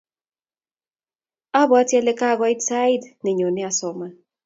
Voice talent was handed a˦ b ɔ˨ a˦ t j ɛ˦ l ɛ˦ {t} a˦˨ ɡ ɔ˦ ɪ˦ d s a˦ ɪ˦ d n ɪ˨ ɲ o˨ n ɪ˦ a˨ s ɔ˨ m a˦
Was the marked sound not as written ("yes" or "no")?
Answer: yes